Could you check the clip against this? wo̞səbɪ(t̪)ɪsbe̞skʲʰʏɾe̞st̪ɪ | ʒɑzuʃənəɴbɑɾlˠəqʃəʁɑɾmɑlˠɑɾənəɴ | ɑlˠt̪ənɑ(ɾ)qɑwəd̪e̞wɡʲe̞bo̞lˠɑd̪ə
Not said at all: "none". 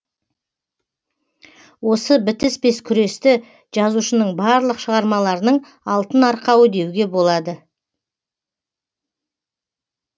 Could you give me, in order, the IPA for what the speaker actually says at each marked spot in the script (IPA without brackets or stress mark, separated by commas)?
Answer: t̪, ɾ